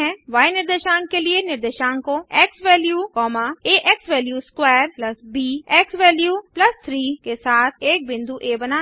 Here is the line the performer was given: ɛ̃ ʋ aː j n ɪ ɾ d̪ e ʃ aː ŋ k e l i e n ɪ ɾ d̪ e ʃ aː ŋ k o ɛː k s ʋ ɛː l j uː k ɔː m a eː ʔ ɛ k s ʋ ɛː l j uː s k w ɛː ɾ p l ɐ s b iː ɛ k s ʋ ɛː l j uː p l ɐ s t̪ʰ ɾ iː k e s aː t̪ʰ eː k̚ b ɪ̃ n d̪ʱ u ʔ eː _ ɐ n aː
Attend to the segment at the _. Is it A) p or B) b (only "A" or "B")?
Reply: B